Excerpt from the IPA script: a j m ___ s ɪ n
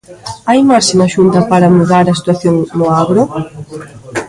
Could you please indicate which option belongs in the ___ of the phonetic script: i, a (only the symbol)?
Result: a